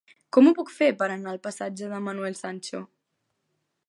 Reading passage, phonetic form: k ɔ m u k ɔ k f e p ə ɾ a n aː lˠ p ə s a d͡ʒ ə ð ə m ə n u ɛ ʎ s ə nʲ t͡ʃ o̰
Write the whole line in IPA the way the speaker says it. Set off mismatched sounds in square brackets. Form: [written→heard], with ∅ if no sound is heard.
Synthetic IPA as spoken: k ɔ m u [k→p] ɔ k f e p ə ɾ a n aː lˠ p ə s a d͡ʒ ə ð ə m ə n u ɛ [ʎ→l] s [ə→a] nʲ t͡ʃ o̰